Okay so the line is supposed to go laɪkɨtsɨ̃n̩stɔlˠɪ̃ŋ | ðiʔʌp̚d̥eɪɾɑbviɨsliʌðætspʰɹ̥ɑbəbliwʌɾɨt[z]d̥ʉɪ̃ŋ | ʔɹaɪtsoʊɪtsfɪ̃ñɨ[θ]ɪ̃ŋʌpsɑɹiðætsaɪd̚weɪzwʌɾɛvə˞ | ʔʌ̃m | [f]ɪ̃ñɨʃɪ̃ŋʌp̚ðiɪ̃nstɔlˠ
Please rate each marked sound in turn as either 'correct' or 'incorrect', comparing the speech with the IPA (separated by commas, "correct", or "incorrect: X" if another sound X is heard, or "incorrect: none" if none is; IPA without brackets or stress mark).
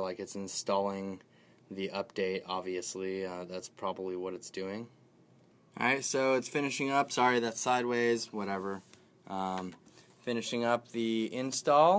incorrect: s, incorrect: ʃ, correct